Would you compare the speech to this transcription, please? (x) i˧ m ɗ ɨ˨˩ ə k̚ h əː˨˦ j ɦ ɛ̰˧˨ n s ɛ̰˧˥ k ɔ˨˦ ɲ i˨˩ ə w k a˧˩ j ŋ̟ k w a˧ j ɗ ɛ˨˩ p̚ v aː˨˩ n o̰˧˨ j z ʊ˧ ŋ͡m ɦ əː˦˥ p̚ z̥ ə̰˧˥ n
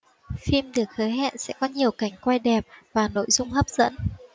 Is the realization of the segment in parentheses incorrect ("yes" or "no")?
yes